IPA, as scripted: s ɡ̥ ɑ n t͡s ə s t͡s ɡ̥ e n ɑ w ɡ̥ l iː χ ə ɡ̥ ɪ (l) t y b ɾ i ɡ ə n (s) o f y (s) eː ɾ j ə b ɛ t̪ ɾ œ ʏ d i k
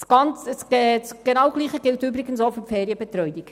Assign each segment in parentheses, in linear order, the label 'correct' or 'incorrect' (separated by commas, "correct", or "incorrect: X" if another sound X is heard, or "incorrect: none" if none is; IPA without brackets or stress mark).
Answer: correct, correct, incorrect: f